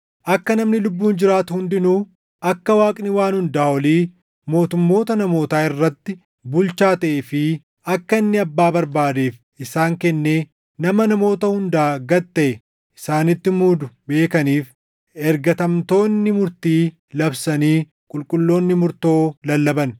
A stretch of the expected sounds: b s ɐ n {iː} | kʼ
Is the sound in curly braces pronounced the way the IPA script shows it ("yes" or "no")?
yes